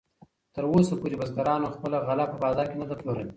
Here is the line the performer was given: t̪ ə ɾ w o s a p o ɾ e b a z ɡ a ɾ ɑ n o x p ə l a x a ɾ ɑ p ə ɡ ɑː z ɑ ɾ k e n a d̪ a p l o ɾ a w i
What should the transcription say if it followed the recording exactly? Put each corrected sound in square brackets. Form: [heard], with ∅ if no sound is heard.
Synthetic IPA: t̪ ə ɾ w o s a p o ɾ e b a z ɡ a ɾ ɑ n o x p ə l a [ɣ] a [l] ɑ p ə [b] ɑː z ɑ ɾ k e n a d̪ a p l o ɾ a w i